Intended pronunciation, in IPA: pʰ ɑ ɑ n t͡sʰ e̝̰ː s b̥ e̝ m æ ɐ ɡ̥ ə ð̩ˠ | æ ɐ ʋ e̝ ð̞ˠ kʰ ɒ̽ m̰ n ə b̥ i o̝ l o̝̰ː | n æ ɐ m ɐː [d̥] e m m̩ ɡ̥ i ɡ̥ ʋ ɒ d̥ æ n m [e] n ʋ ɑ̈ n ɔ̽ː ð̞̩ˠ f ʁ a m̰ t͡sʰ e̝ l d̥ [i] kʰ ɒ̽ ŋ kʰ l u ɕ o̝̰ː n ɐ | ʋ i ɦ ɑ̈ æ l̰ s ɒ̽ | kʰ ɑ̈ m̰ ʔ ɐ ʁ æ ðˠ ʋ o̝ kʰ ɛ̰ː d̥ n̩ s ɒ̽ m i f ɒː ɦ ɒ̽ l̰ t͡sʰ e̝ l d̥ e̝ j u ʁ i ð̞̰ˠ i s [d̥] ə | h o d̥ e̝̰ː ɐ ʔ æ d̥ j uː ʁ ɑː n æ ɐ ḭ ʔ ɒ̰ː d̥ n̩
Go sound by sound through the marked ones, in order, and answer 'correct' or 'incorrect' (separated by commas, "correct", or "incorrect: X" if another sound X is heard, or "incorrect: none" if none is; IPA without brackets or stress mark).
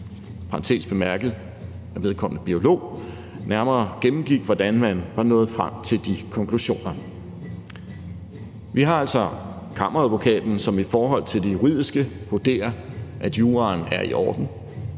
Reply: incorrect: ɡ̥, incorrect: æ, correct, incorrect: ɡ̥